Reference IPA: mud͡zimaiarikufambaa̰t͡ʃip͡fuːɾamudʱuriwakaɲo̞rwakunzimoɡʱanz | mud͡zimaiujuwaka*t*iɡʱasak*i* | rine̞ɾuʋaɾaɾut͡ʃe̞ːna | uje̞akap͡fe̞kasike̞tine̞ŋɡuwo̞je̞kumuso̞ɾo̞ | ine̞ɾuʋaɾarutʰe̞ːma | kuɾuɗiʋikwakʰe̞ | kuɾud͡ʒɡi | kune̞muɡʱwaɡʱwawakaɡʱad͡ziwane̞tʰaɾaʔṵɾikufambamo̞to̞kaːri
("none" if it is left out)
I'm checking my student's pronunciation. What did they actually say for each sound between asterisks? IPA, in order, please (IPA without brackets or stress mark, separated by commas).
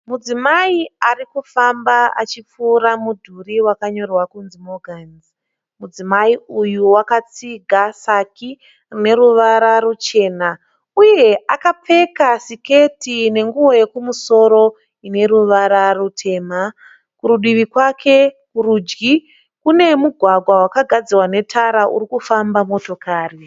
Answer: t͡s, i